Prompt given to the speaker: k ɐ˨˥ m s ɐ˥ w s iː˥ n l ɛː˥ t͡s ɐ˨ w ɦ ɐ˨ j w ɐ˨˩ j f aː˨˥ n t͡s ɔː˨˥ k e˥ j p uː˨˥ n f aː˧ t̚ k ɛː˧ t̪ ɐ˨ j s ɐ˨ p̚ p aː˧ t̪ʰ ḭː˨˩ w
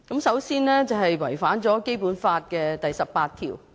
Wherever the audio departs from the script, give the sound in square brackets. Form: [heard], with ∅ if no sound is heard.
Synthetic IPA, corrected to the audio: k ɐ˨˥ m s [ɐ˨˥] w s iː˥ n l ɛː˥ t͡s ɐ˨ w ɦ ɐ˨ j w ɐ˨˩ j f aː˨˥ n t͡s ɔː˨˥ k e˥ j p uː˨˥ n f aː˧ t̚ k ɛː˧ t̪ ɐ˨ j s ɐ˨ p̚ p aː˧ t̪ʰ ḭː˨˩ w